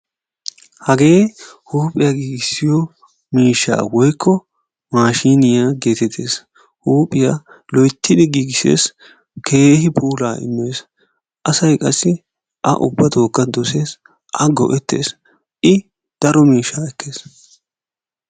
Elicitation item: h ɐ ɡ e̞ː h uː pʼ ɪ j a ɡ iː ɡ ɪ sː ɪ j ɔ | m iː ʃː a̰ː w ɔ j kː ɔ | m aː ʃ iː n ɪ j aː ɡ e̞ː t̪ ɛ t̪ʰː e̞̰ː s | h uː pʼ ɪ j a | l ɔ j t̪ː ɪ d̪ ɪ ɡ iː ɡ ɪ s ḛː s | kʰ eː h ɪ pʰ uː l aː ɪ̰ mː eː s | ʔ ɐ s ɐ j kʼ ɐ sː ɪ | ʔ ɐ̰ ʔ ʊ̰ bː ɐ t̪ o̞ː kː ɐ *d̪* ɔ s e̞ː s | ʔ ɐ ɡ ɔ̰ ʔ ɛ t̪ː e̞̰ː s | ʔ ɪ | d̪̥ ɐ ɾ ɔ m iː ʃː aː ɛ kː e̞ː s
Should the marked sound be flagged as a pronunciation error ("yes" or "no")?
no